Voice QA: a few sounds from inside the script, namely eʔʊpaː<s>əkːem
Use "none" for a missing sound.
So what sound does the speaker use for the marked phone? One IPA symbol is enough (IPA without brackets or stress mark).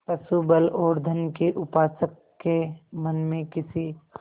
s